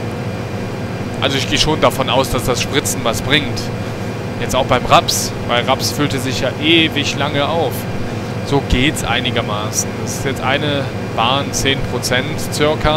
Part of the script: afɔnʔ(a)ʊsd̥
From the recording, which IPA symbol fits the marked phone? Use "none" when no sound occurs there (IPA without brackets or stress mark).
a